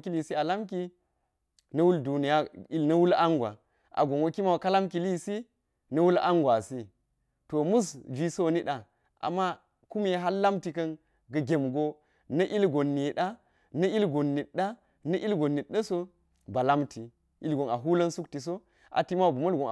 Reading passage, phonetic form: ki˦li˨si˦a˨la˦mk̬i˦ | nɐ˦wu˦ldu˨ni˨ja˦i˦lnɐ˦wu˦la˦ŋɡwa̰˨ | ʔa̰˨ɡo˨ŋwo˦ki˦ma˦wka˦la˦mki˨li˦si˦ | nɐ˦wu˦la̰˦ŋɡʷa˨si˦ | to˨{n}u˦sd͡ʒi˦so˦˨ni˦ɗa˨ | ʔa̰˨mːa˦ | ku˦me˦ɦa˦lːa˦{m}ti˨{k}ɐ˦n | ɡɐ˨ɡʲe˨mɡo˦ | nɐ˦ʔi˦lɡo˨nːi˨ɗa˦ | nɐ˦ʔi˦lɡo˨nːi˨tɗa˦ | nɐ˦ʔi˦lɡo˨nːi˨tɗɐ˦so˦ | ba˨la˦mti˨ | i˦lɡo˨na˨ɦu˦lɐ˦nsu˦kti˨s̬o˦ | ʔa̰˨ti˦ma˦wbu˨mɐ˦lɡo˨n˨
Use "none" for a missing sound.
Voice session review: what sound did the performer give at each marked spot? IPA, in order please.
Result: m, m, k

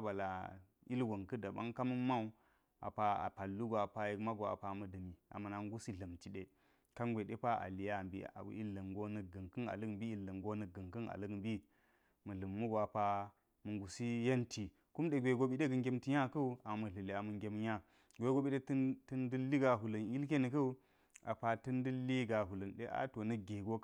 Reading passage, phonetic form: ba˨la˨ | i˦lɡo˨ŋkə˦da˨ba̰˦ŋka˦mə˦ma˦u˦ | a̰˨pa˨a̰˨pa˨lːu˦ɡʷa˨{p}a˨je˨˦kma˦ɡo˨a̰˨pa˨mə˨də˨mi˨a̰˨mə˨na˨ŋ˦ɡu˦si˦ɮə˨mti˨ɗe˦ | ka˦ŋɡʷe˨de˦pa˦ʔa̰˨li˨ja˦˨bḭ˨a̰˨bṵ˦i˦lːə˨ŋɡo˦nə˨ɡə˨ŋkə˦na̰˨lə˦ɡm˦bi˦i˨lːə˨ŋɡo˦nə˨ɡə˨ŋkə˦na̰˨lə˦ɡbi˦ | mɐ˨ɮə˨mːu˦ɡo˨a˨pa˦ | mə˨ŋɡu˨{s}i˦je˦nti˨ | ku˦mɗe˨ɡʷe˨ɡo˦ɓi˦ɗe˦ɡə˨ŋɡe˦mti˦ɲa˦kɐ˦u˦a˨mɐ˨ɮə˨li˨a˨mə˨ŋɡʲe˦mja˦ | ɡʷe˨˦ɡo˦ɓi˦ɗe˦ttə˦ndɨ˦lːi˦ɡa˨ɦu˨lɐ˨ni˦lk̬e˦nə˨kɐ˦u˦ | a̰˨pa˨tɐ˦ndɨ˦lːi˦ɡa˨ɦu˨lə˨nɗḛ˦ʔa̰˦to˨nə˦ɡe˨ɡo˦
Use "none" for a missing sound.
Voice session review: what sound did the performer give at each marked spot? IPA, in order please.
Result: p, s

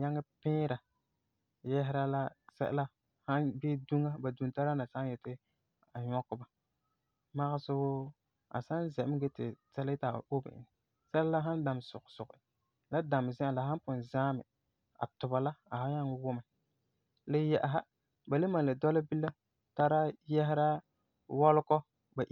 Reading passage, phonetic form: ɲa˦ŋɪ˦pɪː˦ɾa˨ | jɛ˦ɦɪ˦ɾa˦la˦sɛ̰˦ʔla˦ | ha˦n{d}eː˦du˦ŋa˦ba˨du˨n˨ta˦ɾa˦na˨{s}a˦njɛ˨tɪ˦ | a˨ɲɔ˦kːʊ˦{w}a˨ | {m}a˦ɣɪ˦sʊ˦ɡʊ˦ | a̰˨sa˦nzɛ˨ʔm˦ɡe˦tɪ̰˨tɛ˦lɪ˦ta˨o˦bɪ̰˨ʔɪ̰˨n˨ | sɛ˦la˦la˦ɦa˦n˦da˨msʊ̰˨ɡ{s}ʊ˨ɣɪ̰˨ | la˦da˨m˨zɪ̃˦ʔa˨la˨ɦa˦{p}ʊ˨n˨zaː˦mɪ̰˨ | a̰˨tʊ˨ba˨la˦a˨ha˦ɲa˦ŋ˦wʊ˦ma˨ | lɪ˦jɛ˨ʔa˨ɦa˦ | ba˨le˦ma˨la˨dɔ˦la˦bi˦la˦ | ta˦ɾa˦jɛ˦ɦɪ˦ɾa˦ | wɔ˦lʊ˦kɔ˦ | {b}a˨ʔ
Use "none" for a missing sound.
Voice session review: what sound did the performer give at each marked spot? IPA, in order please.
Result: b, s, b, m, s, p, b

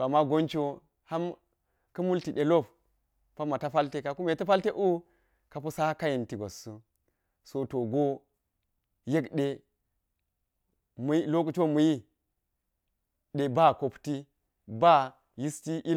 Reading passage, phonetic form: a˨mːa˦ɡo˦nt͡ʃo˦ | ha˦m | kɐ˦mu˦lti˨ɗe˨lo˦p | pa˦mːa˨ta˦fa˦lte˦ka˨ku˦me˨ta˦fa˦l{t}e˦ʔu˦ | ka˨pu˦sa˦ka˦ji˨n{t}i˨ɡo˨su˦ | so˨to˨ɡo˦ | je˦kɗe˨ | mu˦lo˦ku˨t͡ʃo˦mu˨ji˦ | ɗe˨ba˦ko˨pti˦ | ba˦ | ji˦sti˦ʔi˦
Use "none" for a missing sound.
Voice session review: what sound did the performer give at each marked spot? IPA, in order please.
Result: t, t

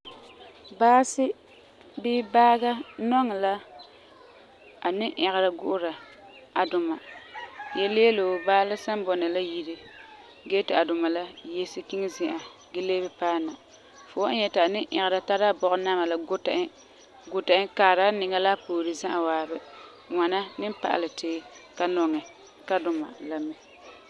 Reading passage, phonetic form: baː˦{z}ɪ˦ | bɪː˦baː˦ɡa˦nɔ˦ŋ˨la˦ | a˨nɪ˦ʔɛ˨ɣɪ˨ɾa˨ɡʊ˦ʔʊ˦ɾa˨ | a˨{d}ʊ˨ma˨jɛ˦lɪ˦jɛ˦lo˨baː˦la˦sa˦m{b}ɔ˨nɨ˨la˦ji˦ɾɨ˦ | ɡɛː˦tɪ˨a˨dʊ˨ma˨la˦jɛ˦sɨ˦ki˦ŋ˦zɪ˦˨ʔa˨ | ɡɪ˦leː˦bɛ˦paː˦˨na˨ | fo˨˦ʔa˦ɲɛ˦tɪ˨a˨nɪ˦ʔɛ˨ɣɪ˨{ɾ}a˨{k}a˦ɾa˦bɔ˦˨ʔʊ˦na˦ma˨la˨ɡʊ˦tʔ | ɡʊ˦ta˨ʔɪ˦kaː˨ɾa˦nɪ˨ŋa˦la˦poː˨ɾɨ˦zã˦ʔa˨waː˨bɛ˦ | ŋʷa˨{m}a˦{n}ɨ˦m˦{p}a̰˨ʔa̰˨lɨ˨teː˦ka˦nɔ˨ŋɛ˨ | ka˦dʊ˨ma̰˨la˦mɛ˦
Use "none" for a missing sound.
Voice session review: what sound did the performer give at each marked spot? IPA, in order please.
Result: s, d, b, ɾ, t, n, n, p

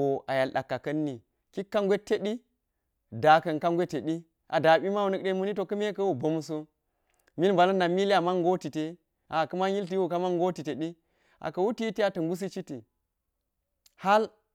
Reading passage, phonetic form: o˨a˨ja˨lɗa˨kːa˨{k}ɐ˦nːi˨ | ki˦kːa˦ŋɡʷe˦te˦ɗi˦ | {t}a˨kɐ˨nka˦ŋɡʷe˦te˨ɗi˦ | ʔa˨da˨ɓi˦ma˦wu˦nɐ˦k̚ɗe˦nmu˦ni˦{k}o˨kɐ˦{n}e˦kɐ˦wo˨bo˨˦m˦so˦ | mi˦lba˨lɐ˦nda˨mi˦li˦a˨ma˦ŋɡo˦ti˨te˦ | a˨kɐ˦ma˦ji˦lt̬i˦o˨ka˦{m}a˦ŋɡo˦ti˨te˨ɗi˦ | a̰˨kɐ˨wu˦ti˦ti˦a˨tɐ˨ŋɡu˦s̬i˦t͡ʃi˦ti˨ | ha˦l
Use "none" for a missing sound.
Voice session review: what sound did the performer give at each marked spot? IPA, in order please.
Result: k, d, t, m, m

